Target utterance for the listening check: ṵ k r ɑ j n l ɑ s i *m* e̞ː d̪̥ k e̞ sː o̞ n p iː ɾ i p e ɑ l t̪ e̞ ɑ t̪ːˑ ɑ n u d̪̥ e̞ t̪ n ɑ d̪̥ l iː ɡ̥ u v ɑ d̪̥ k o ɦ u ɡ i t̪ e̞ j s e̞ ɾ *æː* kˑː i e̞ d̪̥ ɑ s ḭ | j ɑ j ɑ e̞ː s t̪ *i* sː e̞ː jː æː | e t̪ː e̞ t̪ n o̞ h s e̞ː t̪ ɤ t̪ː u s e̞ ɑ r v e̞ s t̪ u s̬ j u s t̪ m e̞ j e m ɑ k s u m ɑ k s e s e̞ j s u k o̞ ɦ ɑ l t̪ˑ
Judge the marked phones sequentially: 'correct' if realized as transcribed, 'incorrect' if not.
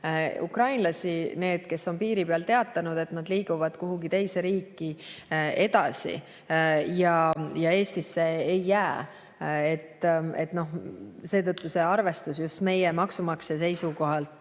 incorrect: n, incorrect: iː, correct

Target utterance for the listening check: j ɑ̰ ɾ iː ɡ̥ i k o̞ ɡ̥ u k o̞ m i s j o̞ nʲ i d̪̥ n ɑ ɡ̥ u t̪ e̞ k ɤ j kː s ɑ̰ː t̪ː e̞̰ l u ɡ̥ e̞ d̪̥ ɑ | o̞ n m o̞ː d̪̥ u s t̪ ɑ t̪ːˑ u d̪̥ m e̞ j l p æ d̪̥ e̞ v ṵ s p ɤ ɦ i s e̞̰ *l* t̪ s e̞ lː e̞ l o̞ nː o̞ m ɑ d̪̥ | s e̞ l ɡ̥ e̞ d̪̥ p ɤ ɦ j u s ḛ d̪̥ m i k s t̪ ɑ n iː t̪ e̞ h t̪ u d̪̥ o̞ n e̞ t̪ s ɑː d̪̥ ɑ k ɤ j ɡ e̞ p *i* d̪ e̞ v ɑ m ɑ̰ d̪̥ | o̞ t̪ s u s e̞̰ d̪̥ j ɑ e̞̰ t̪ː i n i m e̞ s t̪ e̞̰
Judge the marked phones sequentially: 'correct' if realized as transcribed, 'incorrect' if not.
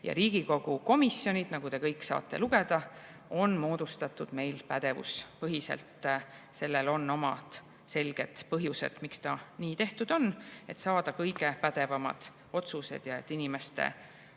correct, incorrect: æ

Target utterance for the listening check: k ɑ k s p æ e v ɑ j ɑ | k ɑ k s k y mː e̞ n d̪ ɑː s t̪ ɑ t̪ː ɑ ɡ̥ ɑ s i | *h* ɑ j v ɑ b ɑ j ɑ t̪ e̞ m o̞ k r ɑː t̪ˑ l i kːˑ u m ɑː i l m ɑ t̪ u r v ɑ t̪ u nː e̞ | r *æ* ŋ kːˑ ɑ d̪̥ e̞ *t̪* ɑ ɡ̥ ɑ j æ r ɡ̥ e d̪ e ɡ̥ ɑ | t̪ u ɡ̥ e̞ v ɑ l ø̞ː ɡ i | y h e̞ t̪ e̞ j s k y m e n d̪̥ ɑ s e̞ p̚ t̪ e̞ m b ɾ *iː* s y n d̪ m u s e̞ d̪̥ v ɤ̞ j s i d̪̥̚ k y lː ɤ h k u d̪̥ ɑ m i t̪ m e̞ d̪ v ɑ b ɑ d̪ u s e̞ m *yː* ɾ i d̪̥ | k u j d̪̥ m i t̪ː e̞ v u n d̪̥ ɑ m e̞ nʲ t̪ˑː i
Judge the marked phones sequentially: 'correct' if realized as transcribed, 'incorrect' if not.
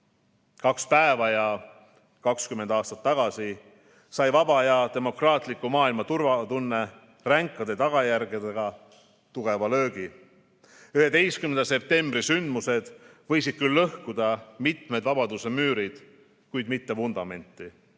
incorrect: s, correct, correct, incorrect: i, correct

